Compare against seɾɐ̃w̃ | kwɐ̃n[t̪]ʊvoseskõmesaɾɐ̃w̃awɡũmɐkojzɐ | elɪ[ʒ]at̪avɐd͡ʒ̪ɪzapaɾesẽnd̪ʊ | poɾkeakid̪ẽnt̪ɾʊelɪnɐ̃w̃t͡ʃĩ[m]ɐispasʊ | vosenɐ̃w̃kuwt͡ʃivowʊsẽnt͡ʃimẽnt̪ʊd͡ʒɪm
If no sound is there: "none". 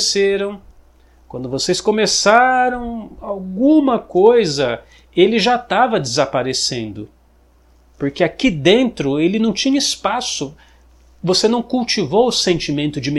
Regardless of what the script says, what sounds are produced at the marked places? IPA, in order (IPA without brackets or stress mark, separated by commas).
d̪, ʒ, ɲ